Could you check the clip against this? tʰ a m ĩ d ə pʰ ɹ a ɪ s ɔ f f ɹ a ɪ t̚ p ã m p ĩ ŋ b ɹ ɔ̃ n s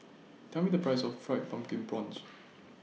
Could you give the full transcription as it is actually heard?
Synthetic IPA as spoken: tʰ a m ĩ d ə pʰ ɹ a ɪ s ɔ f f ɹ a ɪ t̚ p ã m k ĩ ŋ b ɹ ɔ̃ n s